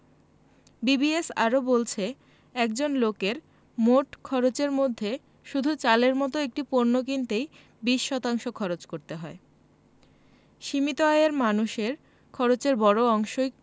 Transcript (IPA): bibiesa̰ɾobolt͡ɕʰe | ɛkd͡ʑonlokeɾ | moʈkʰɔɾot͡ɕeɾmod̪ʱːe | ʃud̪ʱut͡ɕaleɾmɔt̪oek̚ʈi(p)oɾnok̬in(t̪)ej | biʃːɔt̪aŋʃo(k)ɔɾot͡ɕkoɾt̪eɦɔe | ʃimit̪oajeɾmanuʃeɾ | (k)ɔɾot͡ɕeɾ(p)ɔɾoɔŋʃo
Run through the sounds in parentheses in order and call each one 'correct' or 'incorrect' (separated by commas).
correct, correct, incorrect, incorrect, incorrect